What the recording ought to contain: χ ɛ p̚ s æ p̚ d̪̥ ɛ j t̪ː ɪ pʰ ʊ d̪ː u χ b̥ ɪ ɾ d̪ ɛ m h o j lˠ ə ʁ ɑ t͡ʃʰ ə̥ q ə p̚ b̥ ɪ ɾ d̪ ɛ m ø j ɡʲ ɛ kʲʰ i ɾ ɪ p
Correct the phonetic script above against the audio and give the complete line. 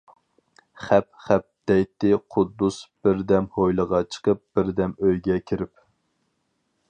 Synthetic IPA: χ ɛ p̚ χ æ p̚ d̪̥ ɛ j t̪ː ɪ qʰ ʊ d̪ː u s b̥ ɪ ɾ d̪ ɛ m h o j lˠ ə ʁ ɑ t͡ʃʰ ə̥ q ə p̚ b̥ ɪ ɾ d̪ ɛ m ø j ɡʲ ɛ kʲʰ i ɾ ɪ p